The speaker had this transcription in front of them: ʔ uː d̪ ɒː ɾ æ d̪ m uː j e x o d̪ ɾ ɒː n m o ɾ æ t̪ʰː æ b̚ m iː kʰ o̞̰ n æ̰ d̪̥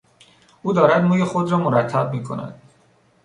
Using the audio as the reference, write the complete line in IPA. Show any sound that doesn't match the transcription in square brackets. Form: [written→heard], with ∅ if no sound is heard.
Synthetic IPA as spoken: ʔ uː d̪ ɒː ɾ æ d̪ m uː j e x o d̪ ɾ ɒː [n→∅] m o ɾ æ t̪ʰː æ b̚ m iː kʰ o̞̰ n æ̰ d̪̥

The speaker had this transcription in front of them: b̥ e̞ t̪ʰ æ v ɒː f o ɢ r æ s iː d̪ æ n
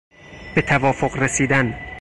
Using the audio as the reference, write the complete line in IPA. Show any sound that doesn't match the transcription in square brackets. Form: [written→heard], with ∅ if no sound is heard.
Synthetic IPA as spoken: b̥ e̞ t̪ʰ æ v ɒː f o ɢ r [æ→e] s iː d̪ æ n

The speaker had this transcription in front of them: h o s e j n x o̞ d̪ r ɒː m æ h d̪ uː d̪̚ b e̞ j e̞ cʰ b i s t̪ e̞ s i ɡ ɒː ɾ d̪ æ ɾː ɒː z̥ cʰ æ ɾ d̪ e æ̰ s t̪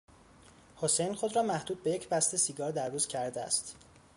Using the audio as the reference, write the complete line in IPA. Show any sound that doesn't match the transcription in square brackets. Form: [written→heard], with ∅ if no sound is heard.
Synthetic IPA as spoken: h o s e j n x o̞ d̪ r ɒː m æ h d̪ uː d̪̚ b e̞ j e̞ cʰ b [i→æ] s t̪ e̞ s i ɡ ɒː ɾ d̪ æ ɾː [ɒː→uː] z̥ cʰ æ ɾ d̪ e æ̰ s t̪

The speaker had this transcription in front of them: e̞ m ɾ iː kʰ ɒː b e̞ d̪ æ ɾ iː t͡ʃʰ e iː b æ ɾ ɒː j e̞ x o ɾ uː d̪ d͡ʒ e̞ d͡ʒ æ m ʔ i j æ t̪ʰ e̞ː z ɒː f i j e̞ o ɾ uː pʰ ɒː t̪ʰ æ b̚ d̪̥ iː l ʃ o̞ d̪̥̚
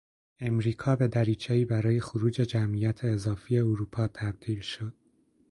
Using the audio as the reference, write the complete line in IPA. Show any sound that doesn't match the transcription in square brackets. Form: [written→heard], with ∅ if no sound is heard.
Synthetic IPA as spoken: e̞ m ɾ iː kʰ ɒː b e̞ d̪ æ ɾ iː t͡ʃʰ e iː b æ ɾ ɒː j e̞ x o ɾ uː [d̪→∅] d͡ʒ e̞ d͡ʒ æ m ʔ i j æ t̪ʰ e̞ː z ɒː f i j e̞ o ɾ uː pʰ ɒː t̪ʰ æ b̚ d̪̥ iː l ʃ o̞ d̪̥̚

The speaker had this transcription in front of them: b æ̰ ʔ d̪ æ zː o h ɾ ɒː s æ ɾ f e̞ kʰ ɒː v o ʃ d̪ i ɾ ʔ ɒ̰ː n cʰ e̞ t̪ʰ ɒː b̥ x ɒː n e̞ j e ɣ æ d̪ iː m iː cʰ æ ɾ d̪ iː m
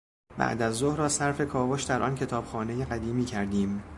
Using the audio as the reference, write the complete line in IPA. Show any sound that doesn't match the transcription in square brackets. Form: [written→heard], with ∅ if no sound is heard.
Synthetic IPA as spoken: b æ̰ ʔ d̪ æ zː o h ɾ ɒː s æ ɾ f e̞ kʰ ɒː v o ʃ d̪ [i→æ] ɾ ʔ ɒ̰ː n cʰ e̞ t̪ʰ ɒː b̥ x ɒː n e̞ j e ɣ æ d̪ iː m iː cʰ æ ɾ d̪ iː m

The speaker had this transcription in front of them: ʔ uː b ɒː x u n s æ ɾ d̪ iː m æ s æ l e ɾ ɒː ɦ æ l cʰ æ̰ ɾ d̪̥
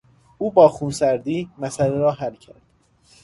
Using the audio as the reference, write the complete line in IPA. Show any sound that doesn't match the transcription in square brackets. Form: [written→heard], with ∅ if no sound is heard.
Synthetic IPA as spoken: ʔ uː b ɒː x u n s æ ɾ d̪ iː m æ s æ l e ɾ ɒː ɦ æ l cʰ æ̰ ɾ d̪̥

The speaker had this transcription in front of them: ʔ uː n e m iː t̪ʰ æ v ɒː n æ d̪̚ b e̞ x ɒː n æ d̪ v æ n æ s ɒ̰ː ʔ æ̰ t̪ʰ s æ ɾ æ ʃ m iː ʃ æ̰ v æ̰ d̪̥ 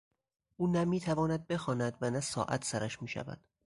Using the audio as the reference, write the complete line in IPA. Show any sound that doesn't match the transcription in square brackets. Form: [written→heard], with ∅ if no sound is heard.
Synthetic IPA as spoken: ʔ uː n [e→æ] m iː t̪ʰ æ v ɒː n æ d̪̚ b e̞ x ɒː n æ d̪ v æ n æ s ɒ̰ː ʔ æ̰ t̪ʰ s æ ɾ æ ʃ m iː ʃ æ̰ v æ̰ d̪̥

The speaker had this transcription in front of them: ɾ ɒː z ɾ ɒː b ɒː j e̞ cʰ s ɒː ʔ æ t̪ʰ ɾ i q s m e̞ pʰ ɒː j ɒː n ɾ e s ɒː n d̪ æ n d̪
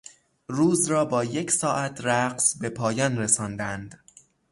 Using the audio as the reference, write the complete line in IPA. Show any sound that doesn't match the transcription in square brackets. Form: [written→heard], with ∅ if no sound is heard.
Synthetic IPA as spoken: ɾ [ɒː→uː] z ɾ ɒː b ɒː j e̞ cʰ s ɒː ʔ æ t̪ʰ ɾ [i→æ] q s [m→b] e̞ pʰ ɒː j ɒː n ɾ e s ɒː n d̪ æ n d̪

